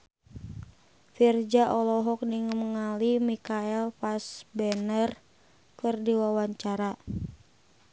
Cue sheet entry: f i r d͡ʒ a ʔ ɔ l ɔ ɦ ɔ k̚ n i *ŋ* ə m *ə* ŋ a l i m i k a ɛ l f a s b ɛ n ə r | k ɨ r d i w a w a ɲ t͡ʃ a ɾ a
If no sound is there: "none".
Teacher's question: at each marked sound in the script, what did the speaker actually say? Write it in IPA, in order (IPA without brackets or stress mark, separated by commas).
ŋ, ə